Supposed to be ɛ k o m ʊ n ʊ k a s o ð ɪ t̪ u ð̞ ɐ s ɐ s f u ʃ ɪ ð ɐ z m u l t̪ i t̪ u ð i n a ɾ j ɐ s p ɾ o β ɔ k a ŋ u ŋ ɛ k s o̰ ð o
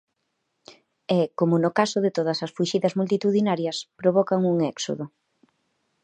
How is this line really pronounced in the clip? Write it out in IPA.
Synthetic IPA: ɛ k o m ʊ n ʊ k a s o ð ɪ t̪ o ð̞ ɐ s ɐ s f u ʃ i ð ɐ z m u l t̪ i t̪ u ð i n a ɾ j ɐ s p ɾ o β ɔ k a ŋ u ŋ ɛ k s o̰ ð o

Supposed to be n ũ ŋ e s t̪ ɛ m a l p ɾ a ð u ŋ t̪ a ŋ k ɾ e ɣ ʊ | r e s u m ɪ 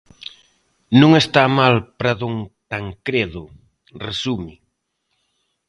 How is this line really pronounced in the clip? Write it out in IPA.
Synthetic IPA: n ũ ŋ e s t̪ a m a l p ɾ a ð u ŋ t̪ a ŋ k ɾ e ð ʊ | r e s u m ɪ

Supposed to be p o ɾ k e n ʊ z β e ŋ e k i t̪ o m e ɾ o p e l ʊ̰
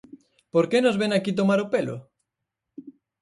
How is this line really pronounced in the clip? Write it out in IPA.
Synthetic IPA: p o ɾ k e n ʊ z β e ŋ a k i t̪ o m a ɾ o p e l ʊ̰

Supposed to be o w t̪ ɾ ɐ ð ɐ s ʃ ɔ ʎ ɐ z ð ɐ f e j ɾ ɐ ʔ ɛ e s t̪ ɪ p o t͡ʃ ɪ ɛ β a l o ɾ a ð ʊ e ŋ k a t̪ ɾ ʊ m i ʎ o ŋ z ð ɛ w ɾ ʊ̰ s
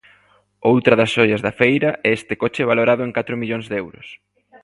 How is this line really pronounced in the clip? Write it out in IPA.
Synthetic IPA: o w t̪ ɾ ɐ ð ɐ s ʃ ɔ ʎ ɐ z ð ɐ f e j ɾ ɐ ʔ ɛ e s t̪ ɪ k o t͡ʃ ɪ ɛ β a l o ɾ a ð ʊ e ŋ k a t̪ ɾ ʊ m i ʎ o ŋ z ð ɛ w ɾ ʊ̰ s

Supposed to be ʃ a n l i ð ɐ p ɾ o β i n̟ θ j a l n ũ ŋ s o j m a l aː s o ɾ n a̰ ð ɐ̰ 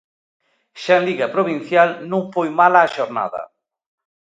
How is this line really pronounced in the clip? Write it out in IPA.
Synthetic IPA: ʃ a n l i ɣ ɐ p ɾ o β i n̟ θ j a l n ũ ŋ f o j m a l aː ʃ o ɾ n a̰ ð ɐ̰

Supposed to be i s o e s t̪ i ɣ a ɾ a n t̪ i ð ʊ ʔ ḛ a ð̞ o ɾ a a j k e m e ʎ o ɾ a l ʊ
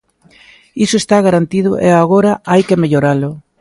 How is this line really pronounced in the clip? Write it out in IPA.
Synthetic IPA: i s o e s t̪ a ɣ a ɾ a n t̪ i ð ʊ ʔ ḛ a ɣ̞ o ɾ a a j k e m e ʎ o ɾ a l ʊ

